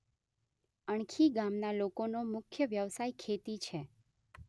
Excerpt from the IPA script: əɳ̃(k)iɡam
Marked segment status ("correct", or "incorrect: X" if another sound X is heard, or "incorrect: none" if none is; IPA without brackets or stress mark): incorrect: kʰ